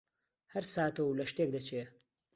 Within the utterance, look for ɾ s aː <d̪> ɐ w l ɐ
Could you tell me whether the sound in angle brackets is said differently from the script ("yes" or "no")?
yes